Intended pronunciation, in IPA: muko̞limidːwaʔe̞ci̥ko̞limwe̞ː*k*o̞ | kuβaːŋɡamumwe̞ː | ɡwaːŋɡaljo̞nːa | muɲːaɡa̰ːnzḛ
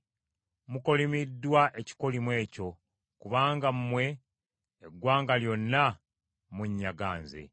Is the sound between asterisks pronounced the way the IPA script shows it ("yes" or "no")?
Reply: no